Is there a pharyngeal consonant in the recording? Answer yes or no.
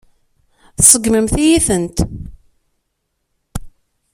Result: no